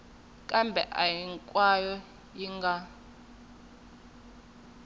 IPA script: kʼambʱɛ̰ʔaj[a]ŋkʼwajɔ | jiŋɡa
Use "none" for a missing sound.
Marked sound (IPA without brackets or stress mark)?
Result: i